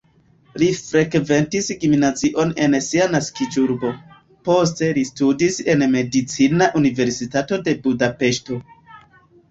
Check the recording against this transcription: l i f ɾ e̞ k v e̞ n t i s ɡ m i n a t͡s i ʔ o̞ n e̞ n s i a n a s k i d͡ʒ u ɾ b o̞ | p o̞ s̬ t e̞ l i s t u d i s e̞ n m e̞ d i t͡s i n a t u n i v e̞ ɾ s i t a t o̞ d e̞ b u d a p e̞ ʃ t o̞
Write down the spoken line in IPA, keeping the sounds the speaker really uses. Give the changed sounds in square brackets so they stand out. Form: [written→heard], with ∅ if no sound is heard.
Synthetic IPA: l i f ɾ e̞ k v e̞ n t i s ɡ m i n a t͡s i ʔ o̞ n e̞ n s i a n a s k i d͡ʒ u ɾ b o̞ | p o̞ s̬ t e̞ l i s t u d i s e̞ n m e̞ d i t͡s i n a [t→ʔ] u n i v e̞ ɾ s i t a t o̞ d e̞ b u d a p e̞ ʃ t o̞